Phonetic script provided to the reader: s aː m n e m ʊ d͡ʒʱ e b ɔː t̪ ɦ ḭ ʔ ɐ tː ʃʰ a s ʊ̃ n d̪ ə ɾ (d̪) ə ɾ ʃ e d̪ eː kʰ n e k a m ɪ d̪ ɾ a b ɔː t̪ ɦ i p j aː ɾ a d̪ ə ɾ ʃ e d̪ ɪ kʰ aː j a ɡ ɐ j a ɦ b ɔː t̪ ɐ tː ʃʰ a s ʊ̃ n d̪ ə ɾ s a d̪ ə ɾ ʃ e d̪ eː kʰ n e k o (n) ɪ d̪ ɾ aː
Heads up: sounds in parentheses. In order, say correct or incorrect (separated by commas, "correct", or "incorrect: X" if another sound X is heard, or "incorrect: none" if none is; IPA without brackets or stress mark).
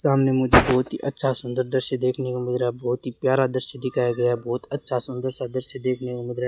correct, incorrect: m